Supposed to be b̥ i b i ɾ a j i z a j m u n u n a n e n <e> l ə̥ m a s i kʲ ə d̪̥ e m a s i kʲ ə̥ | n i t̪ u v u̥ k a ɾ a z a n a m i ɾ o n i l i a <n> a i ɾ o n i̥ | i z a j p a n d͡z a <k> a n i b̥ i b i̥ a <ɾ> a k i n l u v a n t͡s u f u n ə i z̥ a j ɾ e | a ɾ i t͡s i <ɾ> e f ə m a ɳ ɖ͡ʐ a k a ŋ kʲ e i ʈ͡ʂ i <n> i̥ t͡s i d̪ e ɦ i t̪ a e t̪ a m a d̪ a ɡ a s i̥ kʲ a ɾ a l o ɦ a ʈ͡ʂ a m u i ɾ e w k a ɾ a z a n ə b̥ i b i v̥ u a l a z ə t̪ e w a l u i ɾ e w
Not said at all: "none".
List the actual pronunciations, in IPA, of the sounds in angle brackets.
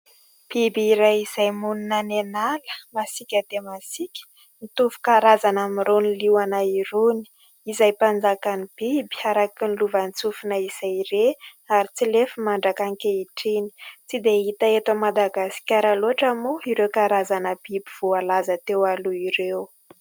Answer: a, n, k, ɾ, l, n

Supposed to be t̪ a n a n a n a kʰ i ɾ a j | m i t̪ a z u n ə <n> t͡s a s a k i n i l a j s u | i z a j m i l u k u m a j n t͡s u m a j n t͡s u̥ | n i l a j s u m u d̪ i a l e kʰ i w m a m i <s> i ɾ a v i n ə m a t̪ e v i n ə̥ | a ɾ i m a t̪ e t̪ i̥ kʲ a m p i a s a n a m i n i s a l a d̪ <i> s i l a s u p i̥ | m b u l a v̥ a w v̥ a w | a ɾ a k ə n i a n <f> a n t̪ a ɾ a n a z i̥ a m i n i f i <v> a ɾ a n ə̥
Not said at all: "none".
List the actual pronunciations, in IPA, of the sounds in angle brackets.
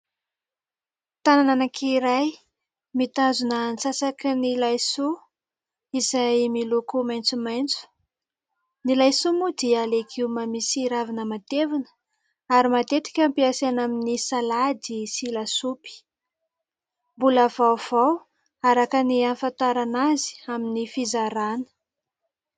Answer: n, s, i, f, z

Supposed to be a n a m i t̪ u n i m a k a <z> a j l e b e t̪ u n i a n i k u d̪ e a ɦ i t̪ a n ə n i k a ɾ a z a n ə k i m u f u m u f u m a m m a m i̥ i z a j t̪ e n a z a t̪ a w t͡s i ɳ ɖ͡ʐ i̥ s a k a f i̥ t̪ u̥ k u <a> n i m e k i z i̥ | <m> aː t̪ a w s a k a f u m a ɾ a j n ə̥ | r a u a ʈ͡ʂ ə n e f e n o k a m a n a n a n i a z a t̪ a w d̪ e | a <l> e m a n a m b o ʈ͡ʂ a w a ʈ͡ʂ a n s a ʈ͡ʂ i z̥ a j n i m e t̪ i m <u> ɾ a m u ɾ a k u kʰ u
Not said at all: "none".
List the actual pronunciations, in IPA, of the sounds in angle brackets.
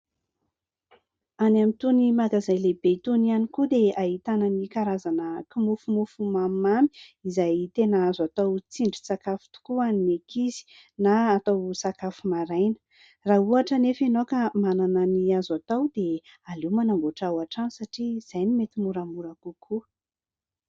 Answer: z, a, n, l, u

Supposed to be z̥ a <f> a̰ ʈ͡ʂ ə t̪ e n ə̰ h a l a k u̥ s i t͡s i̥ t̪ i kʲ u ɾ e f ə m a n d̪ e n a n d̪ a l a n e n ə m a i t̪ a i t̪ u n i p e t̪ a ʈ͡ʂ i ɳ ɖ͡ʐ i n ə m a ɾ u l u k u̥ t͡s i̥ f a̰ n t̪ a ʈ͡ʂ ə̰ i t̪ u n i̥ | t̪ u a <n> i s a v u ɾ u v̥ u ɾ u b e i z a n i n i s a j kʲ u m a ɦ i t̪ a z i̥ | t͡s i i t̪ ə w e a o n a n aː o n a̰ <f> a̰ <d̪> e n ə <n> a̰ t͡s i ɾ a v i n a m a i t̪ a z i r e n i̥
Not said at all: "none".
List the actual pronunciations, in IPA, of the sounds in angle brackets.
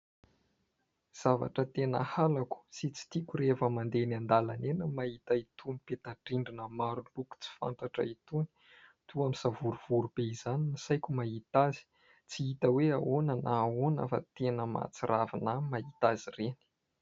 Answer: v, m, f, t̪, m

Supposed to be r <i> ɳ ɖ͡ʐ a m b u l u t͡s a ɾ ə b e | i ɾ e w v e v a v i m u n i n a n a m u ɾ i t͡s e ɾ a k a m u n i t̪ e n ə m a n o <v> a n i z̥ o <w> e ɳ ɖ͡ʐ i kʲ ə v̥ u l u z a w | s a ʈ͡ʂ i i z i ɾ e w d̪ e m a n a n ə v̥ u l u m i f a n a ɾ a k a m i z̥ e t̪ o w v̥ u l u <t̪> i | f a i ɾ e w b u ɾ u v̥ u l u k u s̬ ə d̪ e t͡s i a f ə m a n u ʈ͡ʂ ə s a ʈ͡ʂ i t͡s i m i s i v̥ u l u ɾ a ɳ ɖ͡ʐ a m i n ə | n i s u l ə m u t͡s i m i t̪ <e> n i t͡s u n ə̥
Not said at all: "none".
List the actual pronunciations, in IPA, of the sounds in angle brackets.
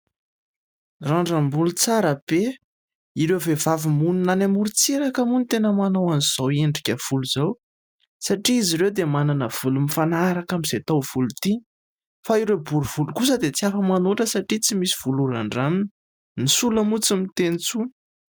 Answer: a, w, w, t̪, e

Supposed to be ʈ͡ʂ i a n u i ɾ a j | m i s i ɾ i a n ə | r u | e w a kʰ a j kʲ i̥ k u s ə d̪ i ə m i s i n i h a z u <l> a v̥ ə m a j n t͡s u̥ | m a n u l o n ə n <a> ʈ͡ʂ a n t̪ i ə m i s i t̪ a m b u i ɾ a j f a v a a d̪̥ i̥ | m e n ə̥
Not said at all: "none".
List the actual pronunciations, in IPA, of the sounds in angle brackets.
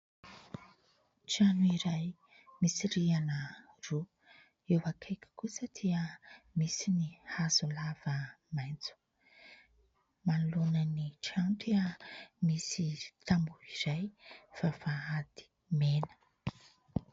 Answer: l, i

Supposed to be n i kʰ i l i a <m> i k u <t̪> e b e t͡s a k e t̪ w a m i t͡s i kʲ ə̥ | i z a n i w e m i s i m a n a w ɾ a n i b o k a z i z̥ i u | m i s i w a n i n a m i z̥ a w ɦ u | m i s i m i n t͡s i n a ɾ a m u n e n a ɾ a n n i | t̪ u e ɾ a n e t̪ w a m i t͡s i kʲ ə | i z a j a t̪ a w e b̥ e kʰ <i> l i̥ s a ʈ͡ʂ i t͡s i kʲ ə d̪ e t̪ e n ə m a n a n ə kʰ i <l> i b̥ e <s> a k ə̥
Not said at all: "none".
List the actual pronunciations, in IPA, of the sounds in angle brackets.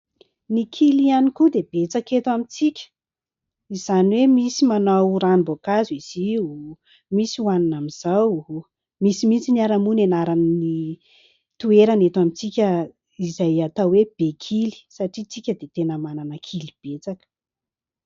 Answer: n, d̪, i, l, t͡s

